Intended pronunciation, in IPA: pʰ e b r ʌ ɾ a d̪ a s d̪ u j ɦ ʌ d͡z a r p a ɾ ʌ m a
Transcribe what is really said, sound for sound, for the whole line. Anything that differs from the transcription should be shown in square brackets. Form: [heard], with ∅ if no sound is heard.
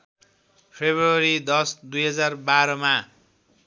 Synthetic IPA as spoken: pʰ e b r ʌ ɾ [i] d̪ [ʌ] s d̪ u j ɦ ʌ d͡z a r [b] a ɾ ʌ m a